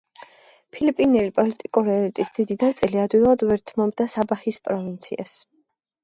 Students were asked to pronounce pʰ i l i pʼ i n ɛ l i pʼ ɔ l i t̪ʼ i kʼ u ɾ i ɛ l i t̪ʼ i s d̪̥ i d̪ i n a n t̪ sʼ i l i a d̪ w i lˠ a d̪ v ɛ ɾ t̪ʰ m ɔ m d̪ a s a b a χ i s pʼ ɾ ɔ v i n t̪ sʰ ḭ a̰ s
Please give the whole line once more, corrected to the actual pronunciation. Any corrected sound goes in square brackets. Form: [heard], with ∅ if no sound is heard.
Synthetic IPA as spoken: pʰ i l i pʼ i n ɛ l i pʼ ɔ l i t̪ʼ i kʼ u ɾ i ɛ l i t̪ʼ i s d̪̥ i d̪ i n a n t̪ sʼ i l i a d̪ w i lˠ a d̪ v ɛ ɾ t̪ʰ m ɔ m d̪ a s a b a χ i s pʼ ɾ ɔ v i n t̪ sʰ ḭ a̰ s